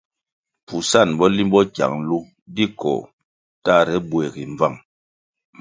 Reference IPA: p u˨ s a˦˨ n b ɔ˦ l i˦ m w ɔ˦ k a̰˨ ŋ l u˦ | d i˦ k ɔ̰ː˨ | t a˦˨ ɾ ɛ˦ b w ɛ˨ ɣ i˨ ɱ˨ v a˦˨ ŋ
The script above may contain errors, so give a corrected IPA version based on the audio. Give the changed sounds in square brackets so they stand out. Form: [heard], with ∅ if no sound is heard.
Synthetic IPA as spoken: p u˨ s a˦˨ n b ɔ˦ l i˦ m [b] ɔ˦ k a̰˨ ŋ l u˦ | d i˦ k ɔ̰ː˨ | t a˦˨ ɾ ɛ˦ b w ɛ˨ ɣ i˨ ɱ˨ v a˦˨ ŋ